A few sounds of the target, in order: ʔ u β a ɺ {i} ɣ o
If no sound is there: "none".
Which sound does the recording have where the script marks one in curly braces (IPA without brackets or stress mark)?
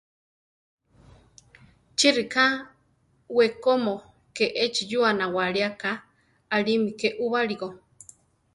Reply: i